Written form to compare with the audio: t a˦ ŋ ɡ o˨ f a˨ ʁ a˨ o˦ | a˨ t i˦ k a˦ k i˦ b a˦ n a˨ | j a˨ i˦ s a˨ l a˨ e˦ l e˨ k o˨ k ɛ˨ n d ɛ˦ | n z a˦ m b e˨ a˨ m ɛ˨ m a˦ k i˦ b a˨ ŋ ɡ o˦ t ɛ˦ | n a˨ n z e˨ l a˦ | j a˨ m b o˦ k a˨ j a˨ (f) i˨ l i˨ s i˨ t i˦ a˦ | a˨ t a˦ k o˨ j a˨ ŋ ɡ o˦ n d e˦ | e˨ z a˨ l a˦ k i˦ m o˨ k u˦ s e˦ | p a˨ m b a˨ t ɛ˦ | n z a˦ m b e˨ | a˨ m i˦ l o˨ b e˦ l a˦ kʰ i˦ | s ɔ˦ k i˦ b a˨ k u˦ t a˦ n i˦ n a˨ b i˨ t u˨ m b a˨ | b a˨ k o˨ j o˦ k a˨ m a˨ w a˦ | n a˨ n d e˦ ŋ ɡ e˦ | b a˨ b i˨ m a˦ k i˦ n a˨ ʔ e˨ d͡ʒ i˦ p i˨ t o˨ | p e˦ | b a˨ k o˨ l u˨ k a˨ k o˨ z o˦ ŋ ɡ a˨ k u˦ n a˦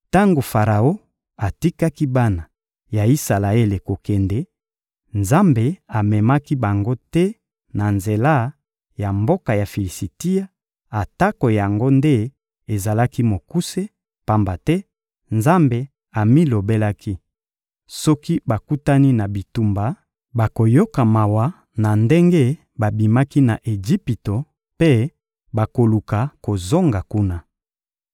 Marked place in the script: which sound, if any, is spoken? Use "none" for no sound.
f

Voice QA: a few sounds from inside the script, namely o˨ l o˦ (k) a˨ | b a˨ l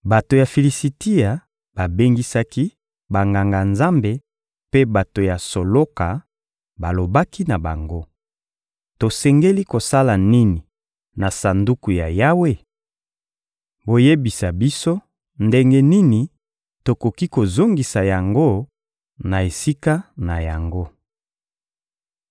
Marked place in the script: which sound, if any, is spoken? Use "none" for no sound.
k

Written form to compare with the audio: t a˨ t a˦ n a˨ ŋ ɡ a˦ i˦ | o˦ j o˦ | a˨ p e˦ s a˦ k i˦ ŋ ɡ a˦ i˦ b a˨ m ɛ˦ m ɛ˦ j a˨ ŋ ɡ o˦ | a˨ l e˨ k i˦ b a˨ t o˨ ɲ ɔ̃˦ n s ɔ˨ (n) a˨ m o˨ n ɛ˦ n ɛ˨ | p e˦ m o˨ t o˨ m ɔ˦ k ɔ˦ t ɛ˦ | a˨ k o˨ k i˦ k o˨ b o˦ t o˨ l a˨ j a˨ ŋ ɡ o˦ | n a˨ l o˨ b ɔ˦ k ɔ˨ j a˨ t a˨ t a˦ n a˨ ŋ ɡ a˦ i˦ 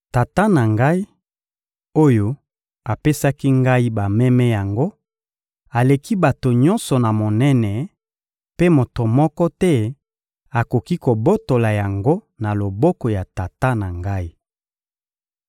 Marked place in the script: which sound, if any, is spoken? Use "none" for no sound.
n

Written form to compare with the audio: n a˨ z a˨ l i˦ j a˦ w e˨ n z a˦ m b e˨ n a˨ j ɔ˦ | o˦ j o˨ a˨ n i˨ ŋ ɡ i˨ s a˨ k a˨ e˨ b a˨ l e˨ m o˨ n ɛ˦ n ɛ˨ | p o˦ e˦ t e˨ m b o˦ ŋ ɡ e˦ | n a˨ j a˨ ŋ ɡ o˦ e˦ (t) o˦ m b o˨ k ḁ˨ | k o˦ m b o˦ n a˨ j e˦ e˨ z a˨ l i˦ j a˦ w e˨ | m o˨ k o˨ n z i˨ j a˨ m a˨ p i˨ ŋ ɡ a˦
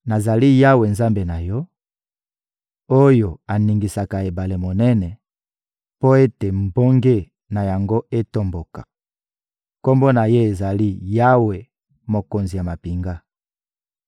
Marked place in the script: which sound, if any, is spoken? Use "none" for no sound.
t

